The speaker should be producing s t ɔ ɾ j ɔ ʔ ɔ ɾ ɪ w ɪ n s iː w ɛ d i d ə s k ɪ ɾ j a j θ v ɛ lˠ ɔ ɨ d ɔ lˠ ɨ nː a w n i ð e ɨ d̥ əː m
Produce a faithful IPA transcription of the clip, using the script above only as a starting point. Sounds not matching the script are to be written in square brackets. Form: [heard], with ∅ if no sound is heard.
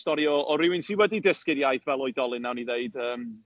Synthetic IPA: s t ɔ ɾ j ɔ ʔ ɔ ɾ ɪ w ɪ n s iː w ɛ d i d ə s k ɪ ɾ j a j θ v ɛ lˠ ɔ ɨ d ɔ lˠ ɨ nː a w n i ð e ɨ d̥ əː m